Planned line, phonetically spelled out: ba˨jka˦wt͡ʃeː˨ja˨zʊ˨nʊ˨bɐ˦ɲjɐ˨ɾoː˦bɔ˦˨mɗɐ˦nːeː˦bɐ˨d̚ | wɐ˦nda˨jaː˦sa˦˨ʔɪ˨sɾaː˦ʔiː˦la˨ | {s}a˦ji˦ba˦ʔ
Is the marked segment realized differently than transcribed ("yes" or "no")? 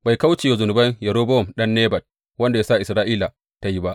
yes